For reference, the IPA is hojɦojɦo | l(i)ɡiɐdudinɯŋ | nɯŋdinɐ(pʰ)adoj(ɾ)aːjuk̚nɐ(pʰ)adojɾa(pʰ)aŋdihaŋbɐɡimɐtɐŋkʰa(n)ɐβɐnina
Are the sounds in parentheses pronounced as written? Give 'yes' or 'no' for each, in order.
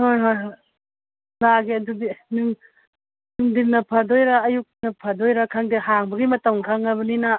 no, yes, yes, yes, no, no

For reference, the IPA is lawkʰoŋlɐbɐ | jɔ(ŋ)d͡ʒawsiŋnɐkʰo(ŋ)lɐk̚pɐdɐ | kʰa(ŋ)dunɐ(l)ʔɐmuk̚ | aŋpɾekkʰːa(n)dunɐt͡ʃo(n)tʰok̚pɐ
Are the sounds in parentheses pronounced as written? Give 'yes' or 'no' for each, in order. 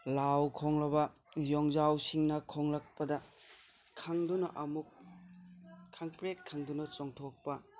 yes, yes, yes, no, no, no

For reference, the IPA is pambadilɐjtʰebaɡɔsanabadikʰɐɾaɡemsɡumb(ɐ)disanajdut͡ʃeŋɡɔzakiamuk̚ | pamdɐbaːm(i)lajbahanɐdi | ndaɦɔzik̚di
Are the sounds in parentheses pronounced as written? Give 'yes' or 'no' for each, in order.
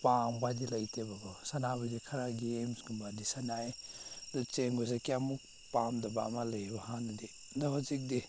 no, no

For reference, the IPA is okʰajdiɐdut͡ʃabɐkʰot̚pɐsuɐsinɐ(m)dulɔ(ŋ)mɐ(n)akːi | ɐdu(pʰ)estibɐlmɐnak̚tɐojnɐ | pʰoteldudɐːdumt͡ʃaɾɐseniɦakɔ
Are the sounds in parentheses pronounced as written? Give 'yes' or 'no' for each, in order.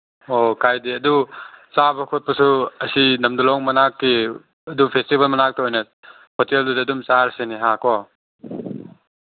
yes, yes, yes, yes

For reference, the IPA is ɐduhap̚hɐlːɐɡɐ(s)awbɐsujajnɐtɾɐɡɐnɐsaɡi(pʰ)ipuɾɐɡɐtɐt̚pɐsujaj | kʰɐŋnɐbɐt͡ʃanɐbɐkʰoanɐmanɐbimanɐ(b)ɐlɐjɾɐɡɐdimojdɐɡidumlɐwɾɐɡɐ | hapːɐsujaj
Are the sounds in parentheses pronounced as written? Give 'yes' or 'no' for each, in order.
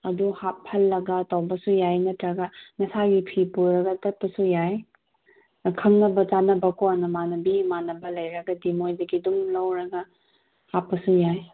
no, yes, yes

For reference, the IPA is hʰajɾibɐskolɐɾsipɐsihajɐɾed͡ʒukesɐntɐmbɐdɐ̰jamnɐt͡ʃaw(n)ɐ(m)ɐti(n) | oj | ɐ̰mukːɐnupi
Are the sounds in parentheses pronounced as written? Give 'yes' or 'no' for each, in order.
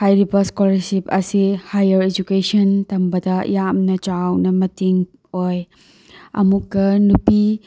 yes, yes, no

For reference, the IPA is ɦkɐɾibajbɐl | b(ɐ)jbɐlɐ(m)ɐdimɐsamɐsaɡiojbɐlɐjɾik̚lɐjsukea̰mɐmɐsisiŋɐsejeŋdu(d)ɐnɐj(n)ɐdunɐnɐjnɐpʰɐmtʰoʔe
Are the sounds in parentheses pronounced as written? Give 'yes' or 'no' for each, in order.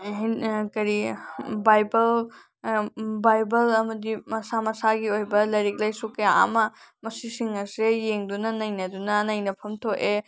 no, yes, no, yes

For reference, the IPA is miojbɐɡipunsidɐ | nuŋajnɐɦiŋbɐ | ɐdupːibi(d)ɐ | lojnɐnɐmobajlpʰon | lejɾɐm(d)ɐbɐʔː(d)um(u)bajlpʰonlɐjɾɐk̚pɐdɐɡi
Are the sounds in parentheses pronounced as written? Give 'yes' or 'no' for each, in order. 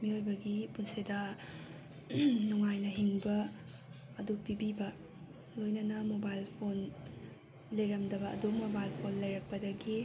no, yes, yes, no

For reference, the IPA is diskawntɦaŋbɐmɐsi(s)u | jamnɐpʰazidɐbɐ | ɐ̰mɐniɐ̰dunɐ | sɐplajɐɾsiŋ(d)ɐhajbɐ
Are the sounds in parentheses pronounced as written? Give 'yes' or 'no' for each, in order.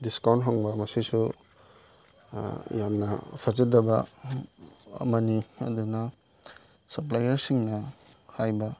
yes, no

